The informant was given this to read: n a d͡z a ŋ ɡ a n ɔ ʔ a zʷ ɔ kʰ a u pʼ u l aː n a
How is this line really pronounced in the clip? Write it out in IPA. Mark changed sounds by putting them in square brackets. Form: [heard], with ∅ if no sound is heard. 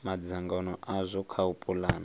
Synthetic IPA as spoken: [m] a d͡z a ŋ ɡ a n ɔ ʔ a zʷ ɔ kʰ a u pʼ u l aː n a